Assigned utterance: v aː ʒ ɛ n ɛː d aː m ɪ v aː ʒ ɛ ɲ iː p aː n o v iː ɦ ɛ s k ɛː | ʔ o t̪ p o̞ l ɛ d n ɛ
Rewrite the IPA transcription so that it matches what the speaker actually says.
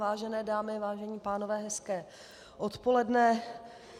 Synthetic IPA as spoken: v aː ʒ ɛ n ɛː d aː m ɪ v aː ʒ ɛ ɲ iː p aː n o v ɛː ɦ ɛ s k ɛː | ʔ o t̪ p o̞ l ɛ d n ɛ